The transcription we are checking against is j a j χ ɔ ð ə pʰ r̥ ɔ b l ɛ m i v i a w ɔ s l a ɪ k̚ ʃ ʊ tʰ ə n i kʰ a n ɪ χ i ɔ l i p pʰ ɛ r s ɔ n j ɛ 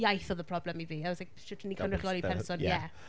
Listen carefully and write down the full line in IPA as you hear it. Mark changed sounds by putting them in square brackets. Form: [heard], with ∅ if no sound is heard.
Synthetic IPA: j a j [θ] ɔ ð ə pʰ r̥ ɔ b l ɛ m i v i a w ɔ s l a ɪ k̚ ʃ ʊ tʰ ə n i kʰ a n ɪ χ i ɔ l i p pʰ ɛ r s ɔ n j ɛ